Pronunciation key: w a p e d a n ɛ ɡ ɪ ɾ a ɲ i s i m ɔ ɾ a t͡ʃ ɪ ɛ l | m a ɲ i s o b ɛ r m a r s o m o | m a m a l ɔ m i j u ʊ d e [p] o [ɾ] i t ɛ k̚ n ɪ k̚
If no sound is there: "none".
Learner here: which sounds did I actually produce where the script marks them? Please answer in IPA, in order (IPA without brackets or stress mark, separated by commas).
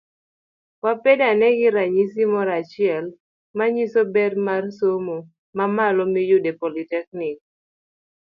p, l